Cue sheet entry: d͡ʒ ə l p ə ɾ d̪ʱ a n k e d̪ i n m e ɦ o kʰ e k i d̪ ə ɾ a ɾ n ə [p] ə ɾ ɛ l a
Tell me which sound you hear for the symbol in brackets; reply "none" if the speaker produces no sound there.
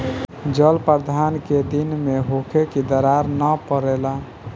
p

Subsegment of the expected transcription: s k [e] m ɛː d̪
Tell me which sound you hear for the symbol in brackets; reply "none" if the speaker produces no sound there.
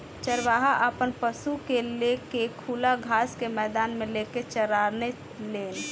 e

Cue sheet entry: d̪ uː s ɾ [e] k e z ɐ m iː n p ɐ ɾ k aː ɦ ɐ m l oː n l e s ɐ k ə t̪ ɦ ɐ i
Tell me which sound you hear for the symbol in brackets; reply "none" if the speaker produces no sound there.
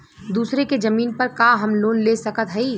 e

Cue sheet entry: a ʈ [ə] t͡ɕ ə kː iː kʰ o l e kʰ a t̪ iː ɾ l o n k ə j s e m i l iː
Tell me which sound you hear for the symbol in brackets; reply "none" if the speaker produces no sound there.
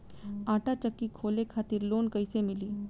a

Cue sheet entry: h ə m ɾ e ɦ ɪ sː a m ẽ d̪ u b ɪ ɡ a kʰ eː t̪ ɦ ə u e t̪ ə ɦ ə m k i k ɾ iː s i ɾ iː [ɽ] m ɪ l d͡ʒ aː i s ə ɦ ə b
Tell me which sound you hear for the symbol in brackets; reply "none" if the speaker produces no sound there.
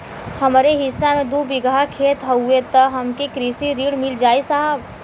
ɽ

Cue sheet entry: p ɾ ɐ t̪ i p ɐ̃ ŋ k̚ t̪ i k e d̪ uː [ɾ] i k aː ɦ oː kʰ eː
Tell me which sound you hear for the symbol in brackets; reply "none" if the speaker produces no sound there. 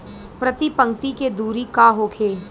ɾ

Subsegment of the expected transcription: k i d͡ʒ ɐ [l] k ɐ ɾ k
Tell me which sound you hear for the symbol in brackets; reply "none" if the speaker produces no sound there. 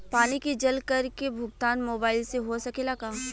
l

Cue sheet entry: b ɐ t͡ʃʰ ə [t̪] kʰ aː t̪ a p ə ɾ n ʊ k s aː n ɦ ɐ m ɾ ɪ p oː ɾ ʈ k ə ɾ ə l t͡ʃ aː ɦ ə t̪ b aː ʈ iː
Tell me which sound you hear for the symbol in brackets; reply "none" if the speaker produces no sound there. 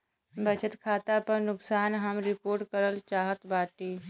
t̪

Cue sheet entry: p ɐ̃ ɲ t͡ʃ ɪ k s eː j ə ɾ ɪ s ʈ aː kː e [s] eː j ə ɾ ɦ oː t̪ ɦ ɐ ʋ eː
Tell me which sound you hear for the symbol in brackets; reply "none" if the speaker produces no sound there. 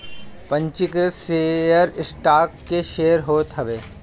ʃ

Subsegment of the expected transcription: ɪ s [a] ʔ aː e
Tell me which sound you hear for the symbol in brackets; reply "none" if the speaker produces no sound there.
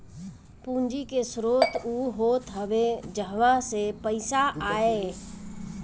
a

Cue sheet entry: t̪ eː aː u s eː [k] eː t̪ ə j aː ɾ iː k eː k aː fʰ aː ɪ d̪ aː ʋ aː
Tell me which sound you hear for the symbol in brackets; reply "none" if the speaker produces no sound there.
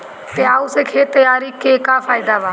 kʰ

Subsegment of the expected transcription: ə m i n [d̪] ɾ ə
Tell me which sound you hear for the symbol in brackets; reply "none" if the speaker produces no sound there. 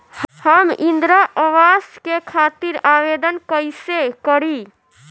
d̪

